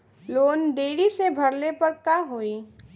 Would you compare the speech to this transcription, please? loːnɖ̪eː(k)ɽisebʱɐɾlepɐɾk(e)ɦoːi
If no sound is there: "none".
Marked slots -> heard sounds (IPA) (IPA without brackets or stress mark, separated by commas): none, a